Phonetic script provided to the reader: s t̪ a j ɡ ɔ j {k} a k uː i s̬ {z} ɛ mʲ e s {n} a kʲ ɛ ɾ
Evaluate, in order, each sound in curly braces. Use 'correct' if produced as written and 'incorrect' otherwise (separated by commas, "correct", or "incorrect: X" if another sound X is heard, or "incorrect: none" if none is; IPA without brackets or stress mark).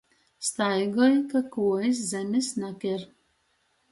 correct, correct, correct